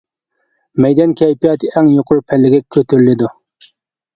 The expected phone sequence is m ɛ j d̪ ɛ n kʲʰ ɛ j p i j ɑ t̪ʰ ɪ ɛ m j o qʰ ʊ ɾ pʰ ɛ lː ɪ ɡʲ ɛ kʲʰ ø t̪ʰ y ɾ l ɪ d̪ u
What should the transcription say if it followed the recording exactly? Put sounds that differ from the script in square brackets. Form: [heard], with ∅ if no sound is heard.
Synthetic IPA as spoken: m ɛ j d̪ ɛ n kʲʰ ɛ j p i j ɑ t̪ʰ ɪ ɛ [ŋ] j o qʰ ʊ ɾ pʰ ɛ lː ɪ ɡʲ ɛ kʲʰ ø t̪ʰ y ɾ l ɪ d̪ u